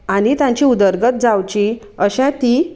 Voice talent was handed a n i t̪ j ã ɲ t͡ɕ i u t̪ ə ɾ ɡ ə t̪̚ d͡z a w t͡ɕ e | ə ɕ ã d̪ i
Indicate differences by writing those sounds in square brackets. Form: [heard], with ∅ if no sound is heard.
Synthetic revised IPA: a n i t̪ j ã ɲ t͡ɕ i u [d̪] ə ɾ ɡ ə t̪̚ d͡z a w t͡ɕ [i] | ə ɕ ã [t̪] i